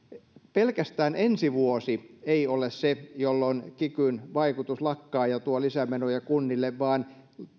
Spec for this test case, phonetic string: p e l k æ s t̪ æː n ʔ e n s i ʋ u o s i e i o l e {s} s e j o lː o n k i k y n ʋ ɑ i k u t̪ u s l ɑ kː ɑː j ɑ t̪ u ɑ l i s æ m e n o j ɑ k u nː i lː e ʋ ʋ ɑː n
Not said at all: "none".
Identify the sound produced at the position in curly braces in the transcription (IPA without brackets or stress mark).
s